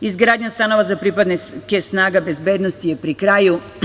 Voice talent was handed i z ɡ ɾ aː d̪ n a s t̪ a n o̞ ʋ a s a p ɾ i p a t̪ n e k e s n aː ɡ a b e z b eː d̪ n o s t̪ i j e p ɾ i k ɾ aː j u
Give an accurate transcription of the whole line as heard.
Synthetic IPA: i z ɡ ɾ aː d̪ ɲ a s t̪ a n o̞ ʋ a z a p ɾ i p a d̪ n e k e s n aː ɡ a b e z b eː d̪ n o s t̪ i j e p ɾ i k ɾ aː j u